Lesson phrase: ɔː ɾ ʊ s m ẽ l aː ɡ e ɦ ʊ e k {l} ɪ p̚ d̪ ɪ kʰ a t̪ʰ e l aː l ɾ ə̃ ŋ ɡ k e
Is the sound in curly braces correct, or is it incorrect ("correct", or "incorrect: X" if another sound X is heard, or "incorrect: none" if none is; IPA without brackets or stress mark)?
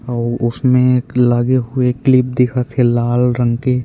correct